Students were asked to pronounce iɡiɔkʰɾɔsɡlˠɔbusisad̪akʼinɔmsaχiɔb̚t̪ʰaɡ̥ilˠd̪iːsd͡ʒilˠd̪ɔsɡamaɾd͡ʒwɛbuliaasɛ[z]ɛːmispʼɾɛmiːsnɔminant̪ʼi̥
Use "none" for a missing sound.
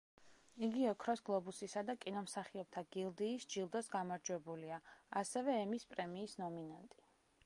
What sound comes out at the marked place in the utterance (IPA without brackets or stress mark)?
v